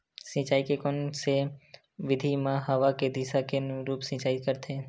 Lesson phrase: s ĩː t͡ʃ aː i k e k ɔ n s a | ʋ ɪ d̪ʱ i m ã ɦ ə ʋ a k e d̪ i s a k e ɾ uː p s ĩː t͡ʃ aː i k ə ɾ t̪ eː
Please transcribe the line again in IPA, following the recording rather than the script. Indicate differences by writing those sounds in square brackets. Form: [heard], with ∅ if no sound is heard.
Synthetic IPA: s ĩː t͡ʃ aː i k e k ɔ n s [e] | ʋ ɪ d̪ʱ i m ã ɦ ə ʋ a k e d̪ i s a k e ɾ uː p s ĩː t͡ʃ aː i k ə ɾ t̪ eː